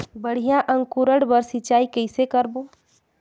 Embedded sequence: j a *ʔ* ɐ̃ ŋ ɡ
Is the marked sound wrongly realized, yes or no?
no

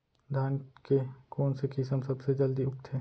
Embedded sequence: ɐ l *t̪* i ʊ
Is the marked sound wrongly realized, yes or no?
yes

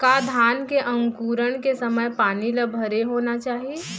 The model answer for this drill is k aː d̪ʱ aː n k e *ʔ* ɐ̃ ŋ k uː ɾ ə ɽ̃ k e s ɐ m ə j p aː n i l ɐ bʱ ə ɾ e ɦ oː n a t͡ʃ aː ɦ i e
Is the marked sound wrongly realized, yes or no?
no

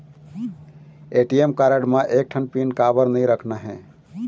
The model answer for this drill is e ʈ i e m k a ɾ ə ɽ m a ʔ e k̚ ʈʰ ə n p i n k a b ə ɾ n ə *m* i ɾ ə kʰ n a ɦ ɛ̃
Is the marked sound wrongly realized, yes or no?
yes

